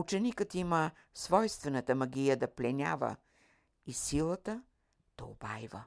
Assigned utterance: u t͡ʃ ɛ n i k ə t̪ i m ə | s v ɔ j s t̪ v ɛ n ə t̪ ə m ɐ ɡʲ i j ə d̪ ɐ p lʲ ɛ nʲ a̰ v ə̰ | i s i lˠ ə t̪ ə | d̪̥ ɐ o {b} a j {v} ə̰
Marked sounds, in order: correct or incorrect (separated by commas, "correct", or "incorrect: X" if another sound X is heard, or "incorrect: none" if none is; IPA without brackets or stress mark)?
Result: correct, correct